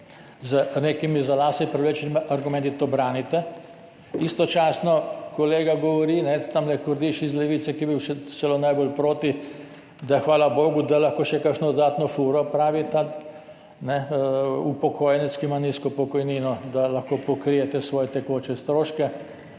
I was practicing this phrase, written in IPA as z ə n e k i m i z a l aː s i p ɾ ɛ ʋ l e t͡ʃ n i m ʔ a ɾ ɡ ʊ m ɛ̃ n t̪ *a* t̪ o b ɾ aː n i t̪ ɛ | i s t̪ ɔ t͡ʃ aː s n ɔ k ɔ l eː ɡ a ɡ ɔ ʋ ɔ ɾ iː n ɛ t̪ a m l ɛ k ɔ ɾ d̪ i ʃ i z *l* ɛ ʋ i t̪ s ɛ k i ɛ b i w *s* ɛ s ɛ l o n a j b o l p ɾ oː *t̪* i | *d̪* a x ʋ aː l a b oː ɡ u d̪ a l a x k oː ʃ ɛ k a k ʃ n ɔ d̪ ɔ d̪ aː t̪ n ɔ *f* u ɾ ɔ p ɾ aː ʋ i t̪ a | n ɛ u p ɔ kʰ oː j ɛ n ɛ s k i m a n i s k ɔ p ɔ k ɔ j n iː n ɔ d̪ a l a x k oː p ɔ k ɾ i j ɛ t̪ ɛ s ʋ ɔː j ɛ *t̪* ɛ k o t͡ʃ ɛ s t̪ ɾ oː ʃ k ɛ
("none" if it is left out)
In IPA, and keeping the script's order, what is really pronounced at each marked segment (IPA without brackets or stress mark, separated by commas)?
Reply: i, l, ʃ, t̪, d̪, f, t̪